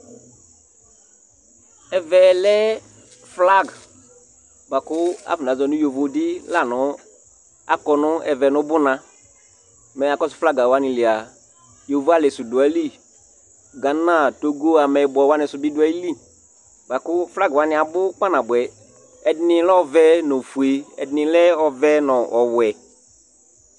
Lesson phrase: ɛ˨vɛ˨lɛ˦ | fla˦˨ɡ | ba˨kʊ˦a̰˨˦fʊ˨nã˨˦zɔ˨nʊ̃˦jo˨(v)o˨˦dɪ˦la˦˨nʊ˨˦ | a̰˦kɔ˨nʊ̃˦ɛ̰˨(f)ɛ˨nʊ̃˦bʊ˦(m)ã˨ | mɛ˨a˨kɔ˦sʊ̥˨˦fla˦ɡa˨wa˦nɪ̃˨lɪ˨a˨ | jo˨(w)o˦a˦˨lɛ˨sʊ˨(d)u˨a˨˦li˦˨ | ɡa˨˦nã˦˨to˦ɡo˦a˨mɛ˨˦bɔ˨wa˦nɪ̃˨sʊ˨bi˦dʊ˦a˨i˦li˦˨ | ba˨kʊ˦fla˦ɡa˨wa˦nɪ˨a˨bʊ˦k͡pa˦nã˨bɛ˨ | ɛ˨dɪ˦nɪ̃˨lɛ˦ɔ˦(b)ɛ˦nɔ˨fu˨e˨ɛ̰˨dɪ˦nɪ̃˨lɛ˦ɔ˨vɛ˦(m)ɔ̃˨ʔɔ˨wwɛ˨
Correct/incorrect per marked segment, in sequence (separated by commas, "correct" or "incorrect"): correct, incorrect, incorrect, incorrect, correct, incorrect, incorrect